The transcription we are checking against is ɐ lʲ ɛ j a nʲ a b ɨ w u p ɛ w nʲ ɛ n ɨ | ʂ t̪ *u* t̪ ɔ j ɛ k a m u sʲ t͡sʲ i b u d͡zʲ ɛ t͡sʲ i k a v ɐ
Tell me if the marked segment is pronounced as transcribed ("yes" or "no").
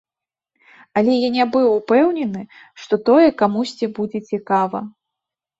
no